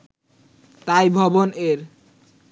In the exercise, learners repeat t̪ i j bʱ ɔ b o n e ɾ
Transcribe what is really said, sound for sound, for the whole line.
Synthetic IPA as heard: t̪ a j bʱ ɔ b o n e ɾ